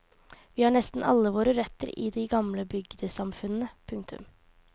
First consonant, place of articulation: labial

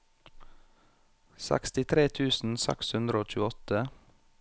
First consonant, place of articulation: alveolar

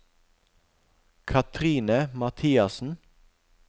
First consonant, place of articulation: velar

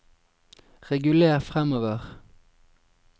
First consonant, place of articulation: uvular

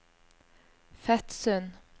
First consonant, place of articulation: labial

